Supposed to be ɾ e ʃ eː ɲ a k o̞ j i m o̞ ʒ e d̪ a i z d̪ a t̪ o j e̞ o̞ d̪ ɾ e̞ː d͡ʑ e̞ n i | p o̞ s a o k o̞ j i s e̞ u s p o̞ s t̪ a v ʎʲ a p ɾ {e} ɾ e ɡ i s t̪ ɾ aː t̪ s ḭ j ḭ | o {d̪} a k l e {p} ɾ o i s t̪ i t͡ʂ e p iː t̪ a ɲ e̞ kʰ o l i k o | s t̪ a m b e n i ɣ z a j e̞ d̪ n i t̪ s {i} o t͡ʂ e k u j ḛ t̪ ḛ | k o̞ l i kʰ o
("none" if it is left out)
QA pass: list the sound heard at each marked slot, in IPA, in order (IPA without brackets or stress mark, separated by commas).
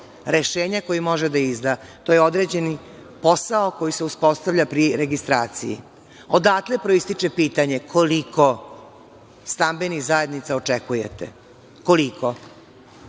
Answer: i, d̪, p, a